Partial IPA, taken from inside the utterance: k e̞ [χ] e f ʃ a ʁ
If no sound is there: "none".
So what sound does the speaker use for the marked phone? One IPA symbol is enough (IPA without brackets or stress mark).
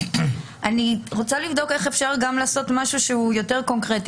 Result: χ